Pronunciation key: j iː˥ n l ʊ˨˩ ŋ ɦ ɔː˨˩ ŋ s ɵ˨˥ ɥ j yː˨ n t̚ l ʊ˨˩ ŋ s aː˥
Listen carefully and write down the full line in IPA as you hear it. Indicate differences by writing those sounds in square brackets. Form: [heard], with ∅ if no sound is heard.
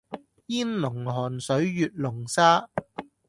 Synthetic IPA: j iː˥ n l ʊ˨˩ ŋ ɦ ɔː˨˩ [n] s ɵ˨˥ ɥ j yː˨ [∅] t̚ l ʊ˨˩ ŋ s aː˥